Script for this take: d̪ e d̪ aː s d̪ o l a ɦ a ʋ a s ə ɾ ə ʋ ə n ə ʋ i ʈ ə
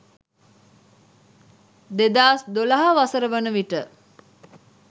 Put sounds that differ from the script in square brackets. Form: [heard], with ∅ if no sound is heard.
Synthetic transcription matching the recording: d̪ e d̪ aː s d̪ o l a ɦ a ʋ a s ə ɾ ə ʋ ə n ə ʋ i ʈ ə